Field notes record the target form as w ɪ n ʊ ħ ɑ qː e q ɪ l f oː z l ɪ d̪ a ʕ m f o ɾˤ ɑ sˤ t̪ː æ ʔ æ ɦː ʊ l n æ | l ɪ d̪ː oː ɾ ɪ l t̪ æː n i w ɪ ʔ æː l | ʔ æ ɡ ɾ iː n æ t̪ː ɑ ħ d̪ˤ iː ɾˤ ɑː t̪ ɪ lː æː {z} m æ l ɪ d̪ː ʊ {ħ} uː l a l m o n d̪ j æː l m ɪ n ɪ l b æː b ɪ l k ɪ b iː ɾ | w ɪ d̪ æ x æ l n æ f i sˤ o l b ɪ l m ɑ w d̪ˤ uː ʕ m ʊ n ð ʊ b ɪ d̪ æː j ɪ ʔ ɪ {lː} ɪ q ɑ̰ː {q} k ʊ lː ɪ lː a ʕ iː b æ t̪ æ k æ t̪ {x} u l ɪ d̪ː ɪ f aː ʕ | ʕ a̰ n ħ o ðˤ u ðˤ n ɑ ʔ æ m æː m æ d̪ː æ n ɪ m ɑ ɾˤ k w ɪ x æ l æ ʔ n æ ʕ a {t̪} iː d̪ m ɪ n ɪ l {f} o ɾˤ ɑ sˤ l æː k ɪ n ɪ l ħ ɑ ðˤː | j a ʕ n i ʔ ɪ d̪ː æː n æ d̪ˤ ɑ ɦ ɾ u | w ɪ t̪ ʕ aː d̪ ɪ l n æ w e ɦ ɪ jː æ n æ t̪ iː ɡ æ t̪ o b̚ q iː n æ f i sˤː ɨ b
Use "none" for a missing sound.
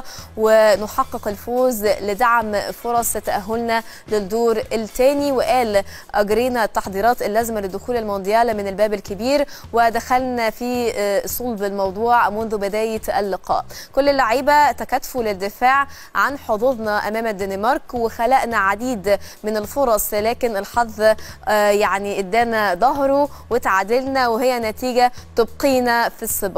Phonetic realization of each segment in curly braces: z, x, lː, ʔ, f, d̪, f

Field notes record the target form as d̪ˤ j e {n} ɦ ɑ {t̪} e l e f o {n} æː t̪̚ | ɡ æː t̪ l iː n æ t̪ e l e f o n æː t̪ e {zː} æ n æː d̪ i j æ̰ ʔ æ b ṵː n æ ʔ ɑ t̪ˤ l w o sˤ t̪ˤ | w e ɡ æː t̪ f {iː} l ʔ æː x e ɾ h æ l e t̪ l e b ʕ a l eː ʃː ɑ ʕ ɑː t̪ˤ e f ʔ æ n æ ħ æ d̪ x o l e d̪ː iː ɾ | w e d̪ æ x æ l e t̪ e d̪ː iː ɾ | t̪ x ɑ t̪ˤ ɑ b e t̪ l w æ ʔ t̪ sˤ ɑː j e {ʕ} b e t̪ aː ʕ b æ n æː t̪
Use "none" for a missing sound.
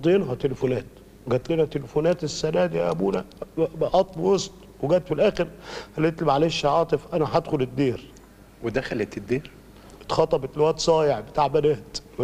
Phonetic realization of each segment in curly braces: n, t̪, n, sː, i, ʕ

